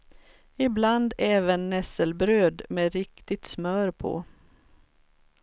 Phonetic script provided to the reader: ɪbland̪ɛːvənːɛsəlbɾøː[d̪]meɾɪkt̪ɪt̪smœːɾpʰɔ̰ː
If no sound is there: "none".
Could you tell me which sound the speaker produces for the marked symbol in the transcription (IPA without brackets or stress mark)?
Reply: d̪